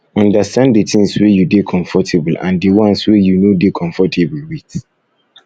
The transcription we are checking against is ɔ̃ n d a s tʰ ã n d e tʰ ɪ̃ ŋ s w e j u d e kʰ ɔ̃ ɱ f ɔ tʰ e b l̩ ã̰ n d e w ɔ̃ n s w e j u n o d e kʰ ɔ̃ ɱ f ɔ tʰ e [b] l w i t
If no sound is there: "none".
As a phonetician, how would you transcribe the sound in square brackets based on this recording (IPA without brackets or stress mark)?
b